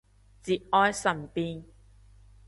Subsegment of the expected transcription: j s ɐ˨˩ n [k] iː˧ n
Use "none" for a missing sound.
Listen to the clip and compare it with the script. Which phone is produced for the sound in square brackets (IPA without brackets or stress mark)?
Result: p